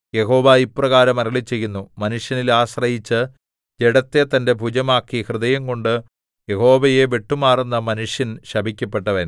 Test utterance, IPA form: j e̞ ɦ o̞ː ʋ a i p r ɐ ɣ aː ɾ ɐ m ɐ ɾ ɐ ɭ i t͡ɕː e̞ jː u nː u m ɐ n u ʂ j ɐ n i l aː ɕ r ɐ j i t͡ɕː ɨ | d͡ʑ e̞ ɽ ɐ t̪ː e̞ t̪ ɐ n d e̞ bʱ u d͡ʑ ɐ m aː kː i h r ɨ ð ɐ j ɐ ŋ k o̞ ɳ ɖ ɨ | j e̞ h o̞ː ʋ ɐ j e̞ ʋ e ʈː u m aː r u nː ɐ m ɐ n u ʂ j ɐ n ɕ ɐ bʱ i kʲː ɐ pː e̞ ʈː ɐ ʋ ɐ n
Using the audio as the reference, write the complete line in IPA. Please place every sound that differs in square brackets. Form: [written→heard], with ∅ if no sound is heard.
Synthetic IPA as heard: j e̞ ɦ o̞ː ʋ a i p r ɐ ɣ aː ɾ ɐ m ɐ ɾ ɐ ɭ i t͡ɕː e̞ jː u nː u m ɐ n u ʂ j ɐ n i l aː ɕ r ɐ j i t͡ɕː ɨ | d͡ʑ e̞ ɽ ɐ t̪ː e̞ t̪ ɐ n d e̞ bʱ u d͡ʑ ɐ m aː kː i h r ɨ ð ɐ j ɐ ŋ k o̞ ɳ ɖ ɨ | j e̞ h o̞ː ʋ ɐ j e̞ ʋ e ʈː u m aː r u nː ɐ m ɐ n u ʂ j ɐ n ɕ ɐ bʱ i kʲː ɐ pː e̞ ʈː ɐ ʋ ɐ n